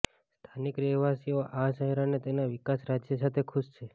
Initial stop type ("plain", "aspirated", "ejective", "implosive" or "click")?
aspirated